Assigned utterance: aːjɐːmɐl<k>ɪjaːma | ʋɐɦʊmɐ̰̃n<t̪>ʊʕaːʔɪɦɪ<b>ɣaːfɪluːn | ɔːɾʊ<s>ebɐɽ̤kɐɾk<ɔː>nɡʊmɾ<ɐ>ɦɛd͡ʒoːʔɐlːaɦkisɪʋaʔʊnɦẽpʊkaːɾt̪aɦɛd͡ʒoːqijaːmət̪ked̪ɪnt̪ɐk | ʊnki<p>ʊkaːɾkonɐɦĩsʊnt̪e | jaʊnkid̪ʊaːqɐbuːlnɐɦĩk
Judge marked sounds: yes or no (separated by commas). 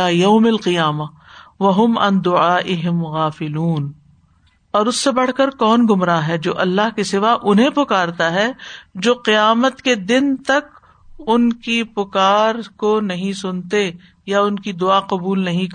no, no, no, no, yes, no, yes